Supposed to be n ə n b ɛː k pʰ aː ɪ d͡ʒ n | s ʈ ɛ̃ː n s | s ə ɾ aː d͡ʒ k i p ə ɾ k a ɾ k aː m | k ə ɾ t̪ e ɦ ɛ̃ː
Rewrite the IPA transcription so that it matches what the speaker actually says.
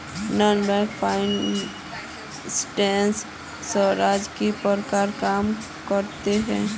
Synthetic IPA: n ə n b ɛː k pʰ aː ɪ n | s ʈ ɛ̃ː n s | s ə ɾ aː d͡ʒ k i p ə ɾ k a ɾ k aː m | k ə ɾ t̪ e ɦ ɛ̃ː